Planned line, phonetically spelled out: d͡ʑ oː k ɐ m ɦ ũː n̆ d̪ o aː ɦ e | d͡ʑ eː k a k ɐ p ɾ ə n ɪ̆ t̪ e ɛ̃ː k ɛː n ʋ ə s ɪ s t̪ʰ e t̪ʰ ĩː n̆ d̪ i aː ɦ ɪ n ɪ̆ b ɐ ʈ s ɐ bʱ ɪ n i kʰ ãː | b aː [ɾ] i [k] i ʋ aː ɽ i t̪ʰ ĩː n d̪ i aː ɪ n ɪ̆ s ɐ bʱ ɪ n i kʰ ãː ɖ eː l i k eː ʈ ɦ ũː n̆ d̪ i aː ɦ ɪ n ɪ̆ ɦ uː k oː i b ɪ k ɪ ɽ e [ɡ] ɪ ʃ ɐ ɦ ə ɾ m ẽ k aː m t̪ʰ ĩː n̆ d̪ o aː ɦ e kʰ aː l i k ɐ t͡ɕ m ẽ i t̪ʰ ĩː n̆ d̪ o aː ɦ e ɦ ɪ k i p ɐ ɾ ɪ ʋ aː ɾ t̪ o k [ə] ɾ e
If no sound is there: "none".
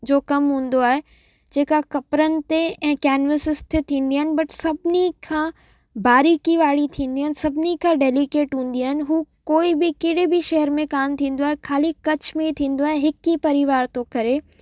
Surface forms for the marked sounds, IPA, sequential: ɾ, k, b, ɐ

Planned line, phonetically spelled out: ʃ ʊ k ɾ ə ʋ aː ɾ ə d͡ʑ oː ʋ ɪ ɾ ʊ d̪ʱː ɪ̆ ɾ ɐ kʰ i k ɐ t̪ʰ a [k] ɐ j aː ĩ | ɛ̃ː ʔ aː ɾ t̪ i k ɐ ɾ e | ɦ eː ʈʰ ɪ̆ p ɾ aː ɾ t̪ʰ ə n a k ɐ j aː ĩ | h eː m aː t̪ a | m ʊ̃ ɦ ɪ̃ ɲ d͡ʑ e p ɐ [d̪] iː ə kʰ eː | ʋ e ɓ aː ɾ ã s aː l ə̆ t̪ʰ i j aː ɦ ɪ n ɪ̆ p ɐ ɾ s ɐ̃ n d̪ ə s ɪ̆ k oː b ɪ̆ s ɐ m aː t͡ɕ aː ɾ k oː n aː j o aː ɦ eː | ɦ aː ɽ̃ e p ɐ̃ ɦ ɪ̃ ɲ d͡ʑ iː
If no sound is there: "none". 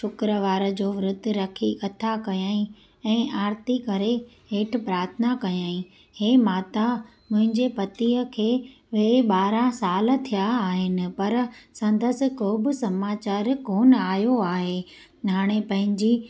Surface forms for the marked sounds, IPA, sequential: k, t̪

